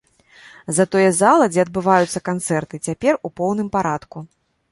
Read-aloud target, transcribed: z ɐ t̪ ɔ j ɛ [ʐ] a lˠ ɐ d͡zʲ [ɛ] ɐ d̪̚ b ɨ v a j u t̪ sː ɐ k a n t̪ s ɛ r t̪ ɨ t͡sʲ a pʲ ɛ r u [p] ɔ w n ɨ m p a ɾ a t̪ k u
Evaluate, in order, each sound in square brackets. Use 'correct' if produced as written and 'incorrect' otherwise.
incorrect: z, correct, correct

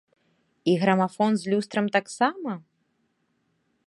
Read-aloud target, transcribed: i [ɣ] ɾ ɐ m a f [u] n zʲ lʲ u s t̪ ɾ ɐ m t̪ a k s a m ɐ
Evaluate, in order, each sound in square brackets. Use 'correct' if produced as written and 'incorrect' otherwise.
correct, incorrect: ɔ

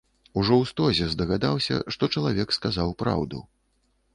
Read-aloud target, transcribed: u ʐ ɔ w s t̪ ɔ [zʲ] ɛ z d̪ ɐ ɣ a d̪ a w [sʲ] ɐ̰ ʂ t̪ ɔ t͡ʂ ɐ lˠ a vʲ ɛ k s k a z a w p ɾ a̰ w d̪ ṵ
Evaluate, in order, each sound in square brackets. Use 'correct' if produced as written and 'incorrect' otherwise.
correct, correct

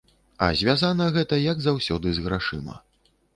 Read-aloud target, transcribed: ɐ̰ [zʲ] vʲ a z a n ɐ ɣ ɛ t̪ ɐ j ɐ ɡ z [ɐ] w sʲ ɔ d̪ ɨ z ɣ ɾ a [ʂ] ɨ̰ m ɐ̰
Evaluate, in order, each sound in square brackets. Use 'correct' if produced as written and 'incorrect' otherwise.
correct, incorrect: a, correct

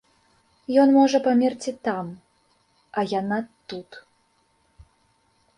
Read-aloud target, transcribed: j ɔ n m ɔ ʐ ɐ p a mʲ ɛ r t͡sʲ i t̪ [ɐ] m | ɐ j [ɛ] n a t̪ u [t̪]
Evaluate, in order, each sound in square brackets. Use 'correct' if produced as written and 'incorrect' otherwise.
incorrect: a, incorrect: a, correct

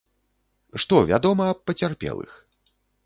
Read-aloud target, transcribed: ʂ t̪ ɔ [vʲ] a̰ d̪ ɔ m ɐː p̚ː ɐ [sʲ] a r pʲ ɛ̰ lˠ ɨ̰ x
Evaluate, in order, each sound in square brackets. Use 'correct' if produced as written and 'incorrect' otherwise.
correct, incorrect: t͡sʲ

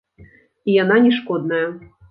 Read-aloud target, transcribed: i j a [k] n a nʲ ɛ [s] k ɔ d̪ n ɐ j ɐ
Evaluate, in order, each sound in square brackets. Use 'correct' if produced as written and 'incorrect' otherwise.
incorrect: none, incorrect: ʂ

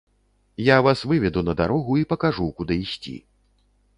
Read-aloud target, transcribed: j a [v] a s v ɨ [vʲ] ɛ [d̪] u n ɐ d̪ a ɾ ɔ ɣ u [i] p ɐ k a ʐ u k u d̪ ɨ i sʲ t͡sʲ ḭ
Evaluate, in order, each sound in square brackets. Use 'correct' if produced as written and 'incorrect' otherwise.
correct, correct, correct, correct

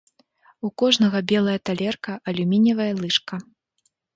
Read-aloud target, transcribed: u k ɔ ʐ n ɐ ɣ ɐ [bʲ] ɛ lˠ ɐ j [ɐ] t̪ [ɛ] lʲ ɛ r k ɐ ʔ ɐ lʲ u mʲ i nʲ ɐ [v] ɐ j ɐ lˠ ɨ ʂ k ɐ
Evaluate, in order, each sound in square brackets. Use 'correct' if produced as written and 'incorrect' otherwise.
correct, correct, incorrect: a, correct

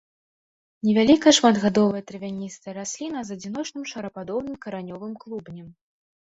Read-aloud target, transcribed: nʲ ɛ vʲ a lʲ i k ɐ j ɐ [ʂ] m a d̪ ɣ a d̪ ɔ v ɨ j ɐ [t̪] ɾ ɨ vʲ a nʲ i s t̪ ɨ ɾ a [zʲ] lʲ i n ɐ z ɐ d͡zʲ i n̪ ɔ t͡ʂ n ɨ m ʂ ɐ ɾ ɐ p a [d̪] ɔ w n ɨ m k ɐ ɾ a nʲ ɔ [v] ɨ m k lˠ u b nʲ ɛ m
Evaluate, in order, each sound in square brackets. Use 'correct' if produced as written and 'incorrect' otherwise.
correct, correct, incorrect: sʲ, correct, correct

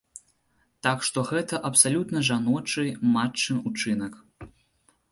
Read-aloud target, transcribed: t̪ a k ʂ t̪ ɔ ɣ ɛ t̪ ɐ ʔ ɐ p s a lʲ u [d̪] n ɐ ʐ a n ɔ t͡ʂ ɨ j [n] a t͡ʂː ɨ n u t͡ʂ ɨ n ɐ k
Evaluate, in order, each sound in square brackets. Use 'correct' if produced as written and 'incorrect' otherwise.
incorrect: t̪, incorrect: m

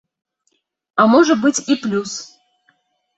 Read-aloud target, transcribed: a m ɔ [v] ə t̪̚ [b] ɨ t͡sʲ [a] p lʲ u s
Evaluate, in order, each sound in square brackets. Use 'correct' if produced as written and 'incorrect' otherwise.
incorrect: ʐ, correct, incorrect: i

